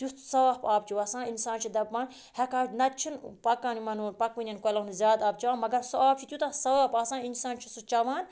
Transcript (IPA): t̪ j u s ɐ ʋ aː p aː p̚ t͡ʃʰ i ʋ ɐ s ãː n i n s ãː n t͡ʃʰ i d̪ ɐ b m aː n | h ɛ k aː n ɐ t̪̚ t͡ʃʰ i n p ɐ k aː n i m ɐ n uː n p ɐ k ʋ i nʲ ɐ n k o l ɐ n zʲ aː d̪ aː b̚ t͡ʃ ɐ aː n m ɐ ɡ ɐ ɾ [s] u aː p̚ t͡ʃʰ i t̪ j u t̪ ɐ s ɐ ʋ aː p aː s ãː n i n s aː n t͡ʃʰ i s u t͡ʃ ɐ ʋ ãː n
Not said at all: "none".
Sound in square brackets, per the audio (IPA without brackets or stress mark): s